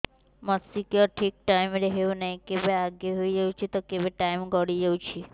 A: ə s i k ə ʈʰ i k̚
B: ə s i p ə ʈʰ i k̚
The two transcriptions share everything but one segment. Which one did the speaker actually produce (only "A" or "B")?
A